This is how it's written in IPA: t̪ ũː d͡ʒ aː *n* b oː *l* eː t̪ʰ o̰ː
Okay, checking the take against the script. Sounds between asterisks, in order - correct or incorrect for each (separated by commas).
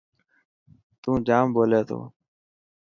incorrect, correct